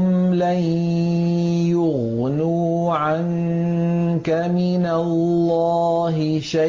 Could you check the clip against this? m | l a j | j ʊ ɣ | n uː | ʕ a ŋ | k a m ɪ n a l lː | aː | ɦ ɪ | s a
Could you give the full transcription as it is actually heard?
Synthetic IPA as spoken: m | l a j | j ʊ ɣ | n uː | ʕ a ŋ | k a m ɪ n a l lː | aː | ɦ ɪ | ʃ a